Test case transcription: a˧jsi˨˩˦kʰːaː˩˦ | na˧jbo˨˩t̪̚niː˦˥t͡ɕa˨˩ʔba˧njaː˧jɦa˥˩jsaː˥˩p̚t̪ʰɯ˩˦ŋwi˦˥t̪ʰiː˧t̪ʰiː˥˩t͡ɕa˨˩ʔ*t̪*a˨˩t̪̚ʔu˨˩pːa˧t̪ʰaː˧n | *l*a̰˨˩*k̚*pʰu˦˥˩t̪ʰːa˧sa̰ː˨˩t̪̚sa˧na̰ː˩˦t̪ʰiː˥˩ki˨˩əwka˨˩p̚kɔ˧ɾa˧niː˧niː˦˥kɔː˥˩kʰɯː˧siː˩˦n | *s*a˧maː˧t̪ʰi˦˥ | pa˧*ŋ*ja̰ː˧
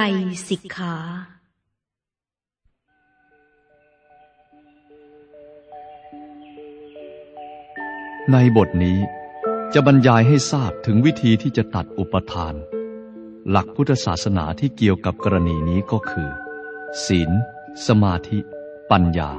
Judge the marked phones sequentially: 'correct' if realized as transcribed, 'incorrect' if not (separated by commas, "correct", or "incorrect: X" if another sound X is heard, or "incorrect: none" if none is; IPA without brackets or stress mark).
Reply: correct, correct, correct, correct, incorrect: n